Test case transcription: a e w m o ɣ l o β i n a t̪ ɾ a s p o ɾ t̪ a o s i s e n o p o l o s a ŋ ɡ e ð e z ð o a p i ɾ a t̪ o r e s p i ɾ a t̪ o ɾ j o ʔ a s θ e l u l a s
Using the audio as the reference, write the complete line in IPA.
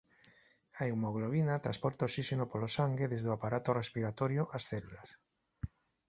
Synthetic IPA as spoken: a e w m o ɣ l o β i n a t̪ ɾ a s p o ɾ t̪ a o s i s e n o p o l o s a ŋ ɡ e ð e z ð o a p a ɾ a t̪ o r e s p i ɾ a t̪ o ɾ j o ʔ a s θ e l u l a s